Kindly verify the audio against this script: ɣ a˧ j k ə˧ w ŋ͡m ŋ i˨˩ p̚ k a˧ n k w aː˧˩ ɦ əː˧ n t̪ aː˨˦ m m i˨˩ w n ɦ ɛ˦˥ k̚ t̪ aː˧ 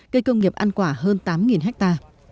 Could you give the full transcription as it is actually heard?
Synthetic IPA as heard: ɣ ə˧ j k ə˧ w ŋ͡m ŋ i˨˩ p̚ ʔ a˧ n k w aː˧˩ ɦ əː˧ n t̪ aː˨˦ m ŋ i˨˩ n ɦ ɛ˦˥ k̚ t̪ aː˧